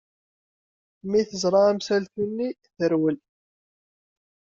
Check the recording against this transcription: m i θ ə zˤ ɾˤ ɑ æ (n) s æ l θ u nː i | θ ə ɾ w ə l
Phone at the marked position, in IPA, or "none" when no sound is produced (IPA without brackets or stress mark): m